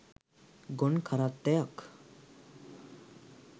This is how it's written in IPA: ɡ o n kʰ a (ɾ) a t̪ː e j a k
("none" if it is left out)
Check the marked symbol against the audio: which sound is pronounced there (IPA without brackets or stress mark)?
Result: ɾ